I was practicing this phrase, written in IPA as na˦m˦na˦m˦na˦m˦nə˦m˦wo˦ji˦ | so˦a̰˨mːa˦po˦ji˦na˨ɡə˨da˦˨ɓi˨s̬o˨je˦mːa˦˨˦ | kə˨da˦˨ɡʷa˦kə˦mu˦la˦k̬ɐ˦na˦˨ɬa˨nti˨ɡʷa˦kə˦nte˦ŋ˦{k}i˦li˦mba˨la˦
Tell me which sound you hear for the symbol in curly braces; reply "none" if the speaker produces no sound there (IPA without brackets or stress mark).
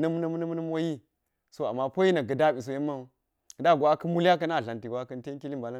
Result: k